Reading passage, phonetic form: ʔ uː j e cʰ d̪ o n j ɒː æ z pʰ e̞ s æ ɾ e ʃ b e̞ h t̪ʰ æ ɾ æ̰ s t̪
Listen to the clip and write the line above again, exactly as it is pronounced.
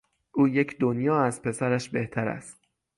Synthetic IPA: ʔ uː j e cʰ d̪ o n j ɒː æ z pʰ e̞ s æ ɾ æ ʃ b e̞ h t̪ʰ æ ɾ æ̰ s t̪